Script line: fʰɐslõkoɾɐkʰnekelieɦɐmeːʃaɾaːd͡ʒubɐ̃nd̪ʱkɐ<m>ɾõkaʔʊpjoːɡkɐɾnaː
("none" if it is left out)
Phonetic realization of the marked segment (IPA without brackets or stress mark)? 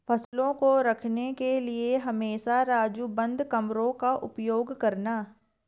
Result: m